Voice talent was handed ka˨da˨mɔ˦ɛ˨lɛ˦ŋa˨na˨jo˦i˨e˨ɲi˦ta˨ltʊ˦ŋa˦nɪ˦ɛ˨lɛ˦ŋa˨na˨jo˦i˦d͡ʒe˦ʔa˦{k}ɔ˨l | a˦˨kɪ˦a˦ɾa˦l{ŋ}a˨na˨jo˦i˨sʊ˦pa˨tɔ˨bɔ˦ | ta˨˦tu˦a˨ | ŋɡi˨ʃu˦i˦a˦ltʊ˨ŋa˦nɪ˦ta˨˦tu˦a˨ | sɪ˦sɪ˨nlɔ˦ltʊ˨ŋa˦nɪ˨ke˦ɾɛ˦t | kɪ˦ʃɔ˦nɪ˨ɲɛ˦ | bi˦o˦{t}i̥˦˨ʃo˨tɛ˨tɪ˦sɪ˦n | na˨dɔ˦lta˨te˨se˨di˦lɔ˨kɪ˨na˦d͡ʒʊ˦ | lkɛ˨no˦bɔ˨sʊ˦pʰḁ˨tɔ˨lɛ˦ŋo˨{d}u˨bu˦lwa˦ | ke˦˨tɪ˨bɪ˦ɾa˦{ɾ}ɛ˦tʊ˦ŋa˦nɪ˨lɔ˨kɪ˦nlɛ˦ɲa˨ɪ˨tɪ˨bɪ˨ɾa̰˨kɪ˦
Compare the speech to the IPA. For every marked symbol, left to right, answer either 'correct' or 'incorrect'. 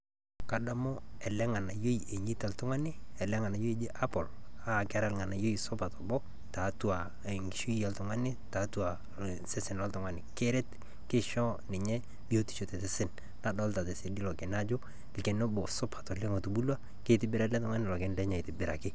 incorrect, correct, correct, incorrect, incorrect

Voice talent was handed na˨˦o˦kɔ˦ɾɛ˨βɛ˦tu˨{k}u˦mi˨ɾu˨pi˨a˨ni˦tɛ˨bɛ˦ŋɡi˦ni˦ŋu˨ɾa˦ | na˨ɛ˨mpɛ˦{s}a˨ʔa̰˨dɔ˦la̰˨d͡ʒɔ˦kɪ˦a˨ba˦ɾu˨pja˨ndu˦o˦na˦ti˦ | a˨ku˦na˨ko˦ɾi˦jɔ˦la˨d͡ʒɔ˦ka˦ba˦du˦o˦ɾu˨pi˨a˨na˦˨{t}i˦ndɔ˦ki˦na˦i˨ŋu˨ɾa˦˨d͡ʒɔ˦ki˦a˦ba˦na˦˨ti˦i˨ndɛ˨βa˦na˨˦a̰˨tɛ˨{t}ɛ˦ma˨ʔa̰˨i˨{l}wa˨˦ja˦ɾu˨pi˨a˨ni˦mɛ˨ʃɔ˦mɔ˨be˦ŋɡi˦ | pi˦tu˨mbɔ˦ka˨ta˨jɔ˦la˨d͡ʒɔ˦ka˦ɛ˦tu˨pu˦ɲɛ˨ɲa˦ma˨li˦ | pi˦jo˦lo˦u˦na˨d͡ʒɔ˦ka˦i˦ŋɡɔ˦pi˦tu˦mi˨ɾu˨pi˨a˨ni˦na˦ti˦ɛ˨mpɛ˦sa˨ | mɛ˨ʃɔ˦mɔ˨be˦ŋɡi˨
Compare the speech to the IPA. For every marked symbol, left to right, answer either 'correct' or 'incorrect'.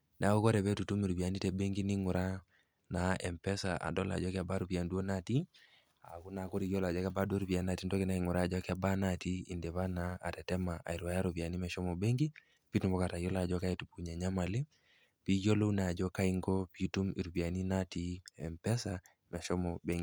incorrect, correct, correct, correct, incorrect

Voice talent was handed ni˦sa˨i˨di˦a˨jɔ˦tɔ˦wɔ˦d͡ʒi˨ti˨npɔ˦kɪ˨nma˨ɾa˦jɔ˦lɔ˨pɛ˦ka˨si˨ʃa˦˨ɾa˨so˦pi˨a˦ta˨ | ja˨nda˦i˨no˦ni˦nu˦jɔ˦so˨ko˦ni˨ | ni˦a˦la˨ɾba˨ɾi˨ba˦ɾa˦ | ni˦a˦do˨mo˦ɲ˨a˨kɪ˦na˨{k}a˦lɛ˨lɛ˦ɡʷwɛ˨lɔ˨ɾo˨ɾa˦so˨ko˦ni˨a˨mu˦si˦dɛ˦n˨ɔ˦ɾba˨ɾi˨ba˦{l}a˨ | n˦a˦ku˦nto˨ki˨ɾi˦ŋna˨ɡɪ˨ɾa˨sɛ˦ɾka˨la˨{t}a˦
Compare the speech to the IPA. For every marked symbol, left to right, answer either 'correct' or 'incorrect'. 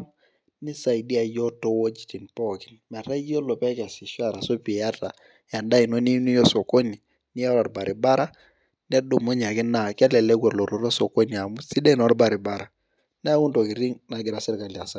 correct, incorrect, incorrect

